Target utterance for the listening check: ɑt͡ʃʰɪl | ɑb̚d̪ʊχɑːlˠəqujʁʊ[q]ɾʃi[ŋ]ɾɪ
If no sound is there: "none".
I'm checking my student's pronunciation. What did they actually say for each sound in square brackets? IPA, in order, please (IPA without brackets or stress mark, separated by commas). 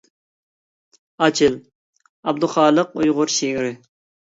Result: none, ŋ